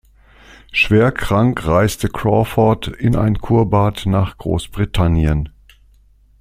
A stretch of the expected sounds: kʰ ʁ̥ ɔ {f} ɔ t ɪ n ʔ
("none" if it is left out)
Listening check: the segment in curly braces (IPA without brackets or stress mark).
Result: f